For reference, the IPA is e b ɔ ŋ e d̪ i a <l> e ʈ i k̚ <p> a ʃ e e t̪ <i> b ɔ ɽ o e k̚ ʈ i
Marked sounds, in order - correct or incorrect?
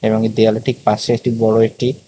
correct, correct, correct

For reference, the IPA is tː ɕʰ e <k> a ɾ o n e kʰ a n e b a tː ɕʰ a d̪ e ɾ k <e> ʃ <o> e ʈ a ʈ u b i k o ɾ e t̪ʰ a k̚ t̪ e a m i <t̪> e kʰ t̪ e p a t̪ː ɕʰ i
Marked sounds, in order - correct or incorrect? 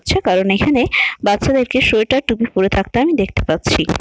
correct, correct, correct, incorrect

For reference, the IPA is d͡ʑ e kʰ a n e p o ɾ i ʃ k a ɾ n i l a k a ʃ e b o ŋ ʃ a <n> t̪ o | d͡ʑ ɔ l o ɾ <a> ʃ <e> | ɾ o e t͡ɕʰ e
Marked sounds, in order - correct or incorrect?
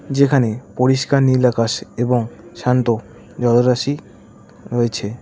correct, correct, incorrect

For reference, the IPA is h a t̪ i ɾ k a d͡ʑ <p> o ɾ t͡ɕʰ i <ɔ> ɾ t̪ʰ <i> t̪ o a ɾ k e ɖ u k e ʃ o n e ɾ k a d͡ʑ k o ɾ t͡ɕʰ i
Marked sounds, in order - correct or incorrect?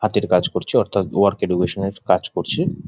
incorrect, correct, incorrect

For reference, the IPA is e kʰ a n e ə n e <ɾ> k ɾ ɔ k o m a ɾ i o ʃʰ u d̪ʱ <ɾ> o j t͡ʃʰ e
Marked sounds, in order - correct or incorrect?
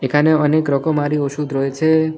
incorrect, correct

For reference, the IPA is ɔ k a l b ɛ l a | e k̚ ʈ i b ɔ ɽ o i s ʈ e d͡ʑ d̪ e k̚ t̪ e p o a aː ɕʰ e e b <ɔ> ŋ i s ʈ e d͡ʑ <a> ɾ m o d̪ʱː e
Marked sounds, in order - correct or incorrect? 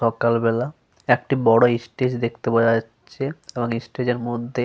incorrect, incorrect

